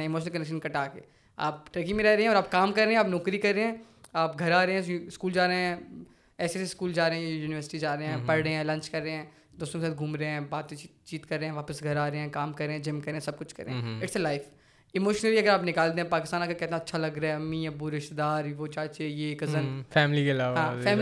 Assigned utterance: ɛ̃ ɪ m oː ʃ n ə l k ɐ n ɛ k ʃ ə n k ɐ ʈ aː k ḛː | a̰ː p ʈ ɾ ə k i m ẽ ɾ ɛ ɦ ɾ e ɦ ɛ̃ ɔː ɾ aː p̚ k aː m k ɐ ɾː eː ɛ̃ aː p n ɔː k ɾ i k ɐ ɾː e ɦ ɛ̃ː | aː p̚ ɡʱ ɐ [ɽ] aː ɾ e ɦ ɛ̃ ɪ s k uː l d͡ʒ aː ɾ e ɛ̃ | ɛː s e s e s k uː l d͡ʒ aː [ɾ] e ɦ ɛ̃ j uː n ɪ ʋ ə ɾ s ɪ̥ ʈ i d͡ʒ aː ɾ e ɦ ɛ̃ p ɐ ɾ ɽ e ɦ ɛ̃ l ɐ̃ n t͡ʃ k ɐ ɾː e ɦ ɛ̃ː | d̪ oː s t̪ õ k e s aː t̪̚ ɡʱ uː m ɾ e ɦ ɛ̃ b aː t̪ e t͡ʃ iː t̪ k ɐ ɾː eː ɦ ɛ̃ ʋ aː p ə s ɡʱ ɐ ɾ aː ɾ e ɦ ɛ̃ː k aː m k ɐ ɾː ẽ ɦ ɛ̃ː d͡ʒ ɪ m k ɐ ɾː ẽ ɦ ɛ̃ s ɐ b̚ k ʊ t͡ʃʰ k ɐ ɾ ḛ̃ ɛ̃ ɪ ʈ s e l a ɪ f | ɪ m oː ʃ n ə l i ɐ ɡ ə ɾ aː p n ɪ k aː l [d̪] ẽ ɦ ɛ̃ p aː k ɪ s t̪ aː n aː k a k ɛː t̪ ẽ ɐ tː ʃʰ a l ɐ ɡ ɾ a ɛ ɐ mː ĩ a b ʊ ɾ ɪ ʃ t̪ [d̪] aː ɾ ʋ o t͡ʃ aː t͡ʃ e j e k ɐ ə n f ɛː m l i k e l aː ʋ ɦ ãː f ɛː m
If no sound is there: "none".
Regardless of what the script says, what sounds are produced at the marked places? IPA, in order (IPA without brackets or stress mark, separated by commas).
ɾ, ɾ, d̪, d̪